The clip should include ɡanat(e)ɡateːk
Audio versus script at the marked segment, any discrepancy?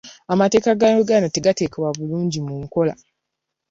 no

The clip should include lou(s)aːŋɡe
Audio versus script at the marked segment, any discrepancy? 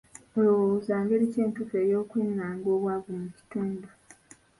yes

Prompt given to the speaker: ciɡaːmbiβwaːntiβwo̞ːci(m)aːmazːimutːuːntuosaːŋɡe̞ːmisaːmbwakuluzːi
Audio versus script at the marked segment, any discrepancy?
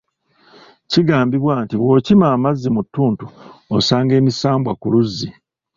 no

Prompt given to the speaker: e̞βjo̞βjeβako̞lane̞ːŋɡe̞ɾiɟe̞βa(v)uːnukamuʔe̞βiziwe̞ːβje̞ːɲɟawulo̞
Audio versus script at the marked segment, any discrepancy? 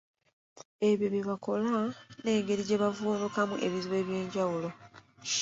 no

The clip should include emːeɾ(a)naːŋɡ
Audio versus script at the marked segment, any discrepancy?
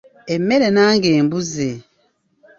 yes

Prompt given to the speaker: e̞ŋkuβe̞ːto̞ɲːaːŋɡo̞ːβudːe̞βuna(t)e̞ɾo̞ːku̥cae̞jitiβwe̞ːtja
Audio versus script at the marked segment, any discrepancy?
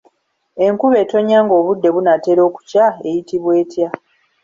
no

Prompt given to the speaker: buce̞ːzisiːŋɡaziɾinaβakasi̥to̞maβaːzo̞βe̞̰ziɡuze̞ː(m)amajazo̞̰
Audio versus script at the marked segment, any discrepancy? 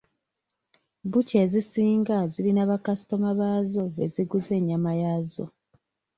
yes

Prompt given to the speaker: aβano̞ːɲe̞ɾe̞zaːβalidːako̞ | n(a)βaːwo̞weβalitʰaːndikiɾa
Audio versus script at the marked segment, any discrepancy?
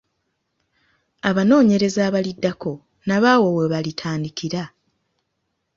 no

